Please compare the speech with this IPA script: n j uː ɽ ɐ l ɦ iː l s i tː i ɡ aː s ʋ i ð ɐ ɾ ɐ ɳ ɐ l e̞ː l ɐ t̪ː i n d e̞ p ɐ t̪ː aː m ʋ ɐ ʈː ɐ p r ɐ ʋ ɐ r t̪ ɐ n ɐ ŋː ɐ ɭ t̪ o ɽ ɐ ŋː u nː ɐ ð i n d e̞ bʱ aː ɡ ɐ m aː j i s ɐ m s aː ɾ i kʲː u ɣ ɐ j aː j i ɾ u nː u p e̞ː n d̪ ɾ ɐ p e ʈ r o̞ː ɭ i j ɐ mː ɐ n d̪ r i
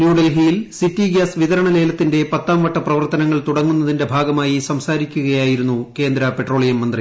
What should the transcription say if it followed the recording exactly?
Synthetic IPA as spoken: n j uː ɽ ɐ l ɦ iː l s i tː i ɡ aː s ʋ i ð ɐ ɾ ɐ ɳ ɐ l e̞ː l ɐ t̪ː i n d e̞ p ɐ t̪ː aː m ʋ ɐ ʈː ɐ p r ɐ ʋ ɐ r t̪ ɐ n ɐ ŋː ɐ ɭ t̪ u ɽ ɐ ŋː u nː ɐ ð i n d e̞ bʱ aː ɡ ɐ m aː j i s ɐ m s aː ɾ i kʲː u ɣ ɐ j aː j i ɾ u nː u k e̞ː n d̪ ɾ ɐ p e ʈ r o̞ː ɭ i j ɐ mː ɐ n d̪ r i